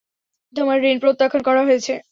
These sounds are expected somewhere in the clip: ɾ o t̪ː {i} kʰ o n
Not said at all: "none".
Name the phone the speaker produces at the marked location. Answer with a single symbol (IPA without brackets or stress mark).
a